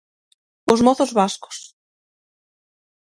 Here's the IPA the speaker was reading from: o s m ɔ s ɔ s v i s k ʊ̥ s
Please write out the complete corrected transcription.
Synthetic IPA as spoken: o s m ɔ θ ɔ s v a s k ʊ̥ s

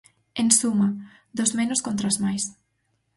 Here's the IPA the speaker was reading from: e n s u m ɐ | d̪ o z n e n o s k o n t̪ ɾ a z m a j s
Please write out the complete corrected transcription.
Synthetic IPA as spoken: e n s u m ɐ | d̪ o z m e n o s k o n t̪ ɾ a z m a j s

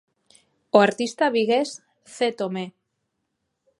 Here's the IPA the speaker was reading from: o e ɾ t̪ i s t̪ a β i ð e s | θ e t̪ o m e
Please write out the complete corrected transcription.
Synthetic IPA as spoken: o a ɾ t̪ i s t̪ a β i ɣ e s | θ e t̪ o m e

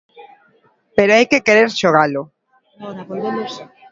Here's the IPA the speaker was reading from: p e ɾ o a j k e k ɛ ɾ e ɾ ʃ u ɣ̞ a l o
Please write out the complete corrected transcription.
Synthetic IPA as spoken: p e ɾ o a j k e k e ɾ e ɾ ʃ o ɣ̞ a l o

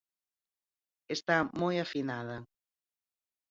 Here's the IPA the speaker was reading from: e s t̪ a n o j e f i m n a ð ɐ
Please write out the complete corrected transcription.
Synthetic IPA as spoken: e s t̪ a m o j a f i n a ð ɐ

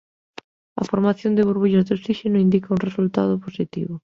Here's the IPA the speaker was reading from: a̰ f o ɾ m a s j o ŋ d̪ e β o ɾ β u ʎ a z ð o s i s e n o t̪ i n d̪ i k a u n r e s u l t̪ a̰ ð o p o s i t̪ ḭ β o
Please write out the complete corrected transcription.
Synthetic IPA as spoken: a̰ f o ɾ m a θ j o n d̪ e β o ɾ β u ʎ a z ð o s i ʃ e n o i n d̪ i k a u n r e s u l t̪ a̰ ð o p o s i t̪ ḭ β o

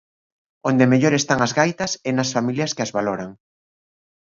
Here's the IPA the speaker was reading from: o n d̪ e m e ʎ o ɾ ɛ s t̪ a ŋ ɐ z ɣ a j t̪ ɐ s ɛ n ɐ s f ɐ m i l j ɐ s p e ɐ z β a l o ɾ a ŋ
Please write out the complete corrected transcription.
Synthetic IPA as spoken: o n d̪ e m e ʎ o ɾ e s t̪ a ŋ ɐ z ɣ a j t̪ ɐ s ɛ n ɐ s f a m i l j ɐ s k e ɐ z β a l o ɾ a ŋ

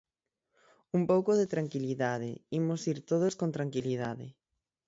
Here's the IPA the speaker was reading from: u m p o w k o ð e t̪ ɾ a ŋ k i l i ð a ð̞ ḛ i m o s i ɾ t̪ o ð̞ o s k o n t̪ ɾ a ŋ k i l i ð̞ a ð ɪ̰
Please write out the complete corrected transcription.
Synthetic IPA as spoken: u m p o w k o ð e t̪ ɾ a ŋ k i l i ð a ð̞ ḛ i m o s i ɾ t̪ o ð̞ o s k o n t̪ ɾ a ŋ k i l i ð̞ a ð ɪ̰

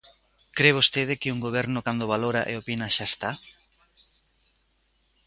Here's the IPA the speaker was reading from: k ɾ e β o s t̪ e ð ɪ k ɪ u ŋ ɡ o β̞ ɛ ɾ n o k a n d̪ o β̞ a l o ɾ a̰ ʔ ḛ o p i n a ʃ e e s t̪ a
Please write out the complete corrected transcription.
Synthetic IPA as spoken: k ɾ e β o s t̪ e ð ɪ k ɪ u ŋ ɡ o β̞ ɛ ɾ n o k a n d̪ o β̞ a l o ɾ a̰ ʔ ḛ o p i n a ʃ a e s t̪ a

